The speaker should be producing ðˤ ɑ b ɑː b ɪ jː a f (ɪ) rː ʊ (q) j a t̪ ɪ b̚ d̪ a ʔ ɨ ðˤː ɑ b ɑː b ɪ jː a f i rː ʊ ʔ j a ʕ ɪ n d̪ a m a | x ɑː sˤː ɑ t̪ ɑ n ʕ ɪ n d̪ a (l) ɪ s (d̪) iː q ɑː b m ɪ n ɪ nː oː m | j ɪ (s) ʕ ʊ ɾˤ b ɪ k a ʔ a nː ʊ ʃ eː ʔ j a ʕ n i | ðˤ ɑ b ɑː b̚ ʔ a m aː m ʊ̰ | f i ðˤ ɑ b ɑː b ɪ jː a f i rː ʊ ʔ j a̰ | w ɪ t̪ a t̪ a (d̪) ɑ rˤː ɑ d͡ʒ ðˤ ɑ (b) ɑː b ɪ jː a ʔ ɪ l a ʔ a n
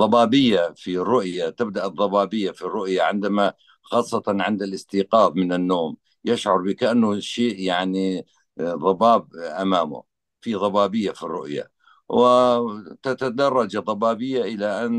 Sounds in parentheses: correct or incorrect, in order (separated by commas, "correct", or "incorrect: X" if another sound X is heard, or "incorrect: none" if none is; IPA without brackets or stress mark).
incorrect: i, incorrect: ʔ, correct, incorrect: t̪, incorrect: ʃ, correct, correct